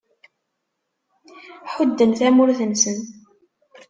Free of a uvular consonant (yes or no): yes